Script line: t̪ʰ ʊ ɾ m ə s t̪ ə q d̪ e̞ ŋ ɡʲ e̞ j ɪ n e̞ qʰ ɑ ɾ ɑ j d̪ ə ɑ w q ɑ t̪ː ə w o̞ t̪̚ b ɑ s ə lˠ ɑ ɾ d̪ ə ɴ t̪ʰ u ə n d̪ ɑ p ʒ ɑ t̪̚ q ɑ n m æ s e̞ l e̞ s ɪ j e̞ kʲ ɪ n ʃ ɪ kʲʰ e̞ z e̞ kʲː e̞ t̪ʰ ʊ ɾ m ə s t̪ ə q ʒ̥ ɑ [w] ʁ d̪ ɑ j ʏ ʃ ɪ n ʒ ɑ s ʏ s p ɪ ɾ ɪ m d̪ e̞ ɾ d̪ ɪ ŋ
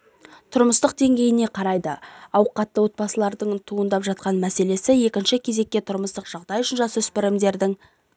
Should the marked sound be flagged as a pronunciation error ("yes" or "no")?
yes